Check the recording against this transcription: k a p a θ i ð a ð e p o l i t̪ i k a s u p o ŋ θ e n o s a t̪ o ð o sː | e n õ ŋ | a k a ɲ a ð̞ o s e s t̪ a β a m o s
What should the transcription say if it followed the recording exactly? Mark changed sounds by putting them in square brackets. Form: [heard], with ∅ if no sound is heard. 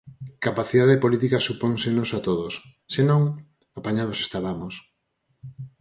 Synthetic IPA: k a p a θ i ð a ð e p o l i t̪ i k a s u p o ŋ [s] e n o s a t̪ o ð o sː | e n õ ŋ | a [p] a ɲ a ð̞ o s e s t̪ a β a m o s